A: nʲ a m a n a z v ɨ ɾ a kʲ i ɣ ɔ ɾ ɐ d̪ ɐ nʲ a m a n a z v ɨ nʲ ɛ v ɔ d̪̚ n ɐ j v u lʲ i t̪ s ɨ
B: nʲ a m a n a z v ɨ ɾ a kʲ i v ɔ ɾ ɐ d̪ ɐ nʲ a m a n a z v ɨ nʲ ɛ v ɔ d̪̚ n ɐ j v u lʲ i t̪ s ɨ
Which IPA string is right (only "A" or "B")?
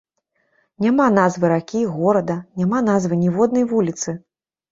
A